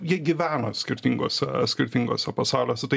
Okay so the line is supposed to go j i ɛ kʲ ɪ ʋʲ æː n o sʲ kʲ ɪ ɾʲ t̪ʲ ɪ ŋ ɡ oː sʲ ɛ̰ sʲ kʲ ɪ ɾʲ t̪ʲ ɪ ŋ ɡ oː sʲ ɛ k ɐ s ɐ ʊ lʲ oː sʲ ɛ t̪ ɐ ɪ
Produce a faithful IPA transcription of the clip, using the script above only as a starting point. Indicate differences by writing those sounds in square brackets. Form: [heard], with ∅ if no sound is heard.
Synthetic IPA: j i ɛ [ɡʲ] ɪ ʋʲ æː n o sʲ kʲ ɪ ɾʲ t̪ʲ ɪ ŋ ɡ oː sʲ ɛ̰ sʲ kʲ ɪ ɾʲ t̪ʲ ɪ ŋ ɡ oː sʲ ɛ [p] ɐ s [ɑ] ʊ lʲ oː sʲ ɛ t̪ ɐ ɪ